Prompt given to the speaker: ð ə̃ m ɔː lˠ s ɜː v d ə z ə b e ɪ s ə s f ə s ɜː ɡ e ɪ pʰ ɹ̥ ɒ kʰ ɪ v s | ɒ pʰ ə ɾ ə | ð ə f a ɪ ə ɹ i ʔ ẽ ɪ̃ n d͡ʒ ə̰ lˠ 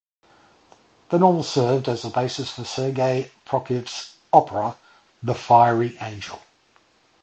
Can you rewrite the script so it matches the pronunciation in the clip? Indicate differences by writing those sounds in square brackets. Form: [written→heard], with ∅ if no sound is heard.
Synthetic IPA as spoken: ð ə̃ [m→n] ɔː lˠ s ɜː v d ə z ə b e ɪ s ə s f ə s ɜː ɡ e ɪ pʰ ɹ̥ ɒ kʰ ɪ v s | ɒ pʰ ə [ɾ→ɹ] ə | ð ə f a ɪ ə ɹ i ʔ ẽ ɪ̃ n d͡ʒ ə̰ lˠ